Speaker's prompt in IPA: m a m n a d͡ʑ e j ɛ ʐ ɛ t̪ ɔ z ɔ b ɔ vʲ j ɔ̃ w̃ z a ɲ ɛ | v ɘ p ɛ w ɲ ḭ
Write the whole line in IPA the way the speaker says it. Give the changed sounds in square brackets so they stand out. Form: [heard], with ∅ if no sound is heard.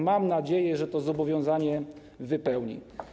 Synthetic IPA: m a m n a d͡ʑ e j ɛ ʐ ɛ t̪ ɔ z ɔ b ɔ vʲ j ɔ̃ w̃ z a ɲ ɛ | v ɘ p ɛ w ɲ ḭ

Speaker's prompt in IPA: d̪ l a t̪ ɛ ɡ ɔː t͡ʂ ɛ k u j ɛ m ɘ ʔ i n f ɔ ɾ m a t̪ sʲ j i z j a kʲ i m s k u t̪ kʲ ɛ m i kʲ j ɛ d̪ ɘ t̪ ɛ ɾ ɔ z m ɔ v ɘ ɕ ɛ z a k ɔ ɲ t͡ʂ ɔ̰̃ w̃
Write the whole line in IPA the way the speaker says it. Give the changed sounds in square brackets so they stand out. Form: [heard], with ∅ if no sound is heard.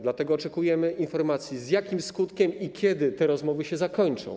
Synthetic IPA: d̪ l a t̪ ɛ ɡ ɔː t͡ʂ ɛ k u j ɛ m ɘ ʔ i n f ɔ ɾ m a t̪ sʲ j i z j a kʲ i m s k u t̪ kʲ ɛ m i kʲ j ɛ d̪ ɘ t̪ ɛ ɾ ɔ z m ɔ v ɘ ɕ ɛ z a k ɔ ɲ t͡ʂ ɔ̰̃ w̃

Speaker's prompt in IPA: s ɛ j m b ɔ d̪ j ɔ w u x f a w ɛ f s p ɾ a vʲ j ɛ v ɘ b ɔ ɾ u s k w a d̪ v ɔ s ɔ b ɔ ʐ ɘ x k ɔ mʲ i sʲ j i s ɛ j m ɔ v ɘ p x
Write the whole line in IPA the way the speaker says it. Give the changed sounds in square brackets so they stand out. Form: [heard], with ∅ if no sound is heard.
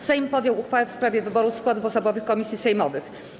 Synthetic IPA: s ɛ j m [p] ɔ d̪ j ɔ w u x f a w ɛ f s p ɾ a vʲ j ɛ v ɘ b ɔ ɾ u s k w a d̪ v ɔ s ɔ b ɔ [v] ɘ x k ɔ mʲ i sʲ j i s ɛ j m ɔ v ɘ [∅] x

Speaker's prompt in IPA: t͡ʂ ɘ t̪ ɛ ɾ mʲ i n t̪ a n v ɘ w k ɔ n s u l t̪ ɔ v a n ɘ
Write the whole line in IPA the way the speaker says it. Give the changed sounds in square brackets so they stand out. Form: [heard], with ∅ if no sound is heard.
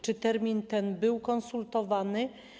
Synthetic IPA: t͡ʂ ɘ t̪ ɛ ɾ mʲ i n t̪ [ɛ] n [b] ɘ w k ɔ n s u l t̪ ɔ v a n ɘ

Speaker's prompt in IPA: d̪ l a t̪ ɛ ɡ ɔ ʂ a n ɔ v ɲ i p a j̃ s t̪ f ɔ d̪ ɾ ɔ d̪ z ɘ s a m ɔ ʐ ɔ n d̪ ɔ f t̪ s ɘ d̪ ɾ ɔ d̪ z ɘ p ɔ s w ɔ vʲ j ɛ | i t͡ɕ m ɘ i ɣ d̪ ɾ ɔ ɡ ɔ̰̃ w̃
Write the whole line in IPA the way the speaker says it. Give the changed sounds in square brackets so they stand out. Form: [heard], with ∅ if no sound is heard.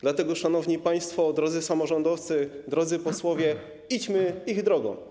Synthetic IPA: d̪ l a t̪ ɛ ɡ ɔ ʂ a n ɔ v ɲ i p a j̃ s t̪ f ɔ d̪ ɾ ɔ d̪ z ɘ s a m ɔ ʐ ɔ n d̪ ɔ f t̪ s ɘ d̪ ɾ ɔ d̪ z ɘ p ɔ s w ɔ vʲ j ɛ | i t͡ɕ m ɘ i ɣ d̪ ɾ ɔ ɡ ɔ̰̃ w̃

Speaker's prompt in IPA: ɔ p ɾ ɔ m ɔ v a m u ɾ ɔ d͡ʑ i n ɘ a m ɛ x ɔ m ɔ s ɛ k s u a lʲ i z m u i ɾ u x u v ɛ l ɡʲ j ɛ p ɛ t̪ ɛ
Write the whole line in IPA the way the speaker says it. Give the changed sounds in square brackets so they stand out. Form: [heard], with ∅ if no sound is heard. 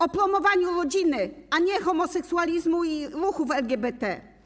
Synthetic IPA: ɔ p ɾ ɔ m ɔ v a [ɲ] u ɾ ɔ d͡ʑ i n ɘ a [ɲ] ɛ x ɔ m ɔ s ɛ k s u a lʲ i z m u i ɾ u x u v ɛ l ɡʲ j ɛ [b] ɛ t̪ ɛ

